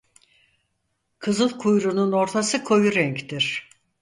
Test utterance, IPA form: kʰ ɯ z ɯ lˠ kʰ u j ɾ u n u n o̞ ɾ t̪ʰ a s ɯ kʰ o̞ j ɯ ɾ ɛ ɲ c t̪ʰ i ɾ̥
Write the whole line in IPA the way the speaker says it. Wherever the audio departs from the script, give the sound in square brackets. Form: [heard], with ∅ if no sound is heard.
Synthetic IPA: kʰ ɯ z ɯ lˠ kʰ u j ɾ u n u n o̞ ɾ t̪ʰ a s ɯ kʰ o̞ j [u] ɾ ɛ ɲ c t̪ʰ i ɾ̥